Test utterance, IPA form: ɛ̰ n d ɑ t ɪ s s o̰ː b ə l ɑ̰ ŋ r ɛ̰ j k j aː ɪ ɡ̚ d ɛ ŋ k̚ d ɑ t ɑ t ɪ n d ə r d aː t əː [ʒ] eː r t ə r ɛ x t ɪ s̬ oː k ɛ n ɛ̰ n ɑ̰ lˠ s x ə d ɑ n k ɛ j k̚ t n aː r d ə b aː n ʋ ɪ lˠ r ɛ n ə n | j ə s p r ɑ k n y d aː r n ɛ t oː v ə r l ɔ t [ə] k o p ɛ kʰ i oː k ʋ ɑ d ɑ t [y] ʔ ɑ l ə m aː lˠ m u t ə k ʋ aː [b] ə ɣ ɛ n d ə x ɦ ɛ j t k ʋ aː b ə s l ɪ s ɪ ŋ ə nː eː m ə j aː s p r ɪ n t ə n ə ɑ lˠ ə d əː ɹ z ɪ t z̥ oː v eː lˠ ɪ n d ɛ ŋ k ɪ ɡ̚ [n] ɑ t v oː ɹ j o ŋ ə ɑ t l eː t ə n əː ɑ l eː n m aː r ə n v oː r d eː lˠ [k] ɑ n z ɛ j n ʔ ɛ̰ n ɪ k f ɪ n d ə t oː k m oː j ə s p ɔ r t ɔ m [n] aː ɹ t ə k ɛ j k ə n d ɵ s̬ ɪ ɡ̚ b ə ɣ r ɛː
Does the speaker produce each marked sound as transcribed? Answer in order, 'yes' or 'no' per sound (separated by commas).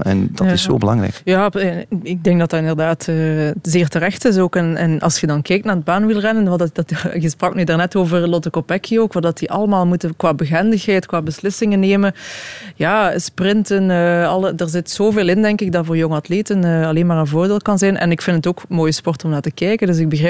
no, yes, no, yes, no, yes, yes